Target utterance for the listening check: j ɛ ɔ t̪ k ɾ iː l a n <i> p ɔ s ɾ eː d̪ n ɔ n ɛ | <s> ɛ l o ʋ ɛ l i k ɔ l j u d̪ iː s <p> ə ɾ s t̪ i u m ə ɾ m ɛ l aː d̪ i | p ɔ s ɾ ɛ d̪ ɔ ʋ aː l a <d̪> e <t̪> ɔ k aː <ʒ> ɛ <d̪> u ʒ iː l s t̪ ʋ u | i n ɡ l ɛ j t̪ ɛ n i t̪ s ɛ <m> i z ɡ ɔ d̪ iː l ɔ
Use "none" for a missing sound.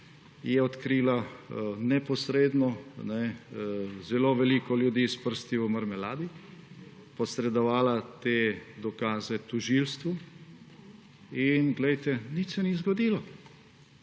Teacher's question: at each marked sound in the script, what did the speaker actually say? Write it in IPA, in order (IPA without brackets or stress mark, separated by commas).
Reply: ɛ, z, p, t̪, d̪, z, t̪, n